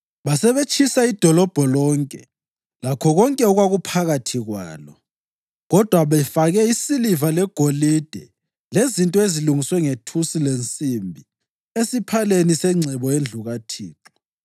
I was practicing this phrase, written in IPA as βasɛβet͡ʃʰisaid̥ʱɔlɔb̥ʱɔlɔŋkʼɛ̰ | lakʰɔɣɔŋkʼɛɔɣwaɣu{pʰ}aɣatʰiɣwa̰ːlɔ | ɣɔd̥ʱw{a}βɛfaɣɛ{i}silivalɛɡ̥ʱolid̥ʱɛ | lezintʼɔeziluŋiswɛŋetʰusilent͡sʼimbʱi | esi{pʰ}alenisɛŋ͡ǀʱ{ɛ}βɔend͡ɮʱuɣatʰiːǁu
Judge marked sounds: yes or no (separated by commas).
yes, yes, yes, yes, yes